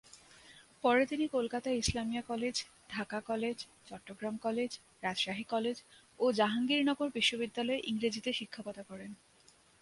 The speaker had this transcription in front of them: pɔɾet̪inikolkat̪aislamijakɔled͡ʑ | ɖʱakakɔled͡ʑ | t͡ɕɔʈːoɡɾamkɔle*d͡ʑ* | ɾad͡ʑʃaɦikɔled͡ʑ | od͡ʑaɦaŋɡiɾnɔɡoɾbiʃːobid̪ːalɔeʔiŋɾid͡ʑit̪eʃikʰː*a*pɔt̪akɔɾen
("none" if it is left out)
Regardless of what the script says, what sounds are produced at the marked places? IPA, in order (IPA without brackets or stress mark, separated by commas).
d͡ʑ, a